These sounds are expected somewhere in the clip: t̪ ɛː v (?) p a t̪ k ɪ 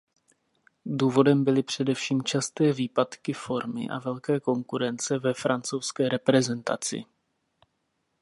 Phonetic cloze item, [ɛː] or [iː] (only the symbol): iː